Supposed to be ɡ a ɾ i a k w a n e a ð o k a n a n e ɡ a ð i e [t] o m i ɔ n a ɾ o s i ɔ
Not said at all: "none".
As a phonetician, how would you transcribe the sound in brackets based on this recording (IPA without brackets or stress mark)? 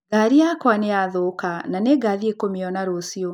k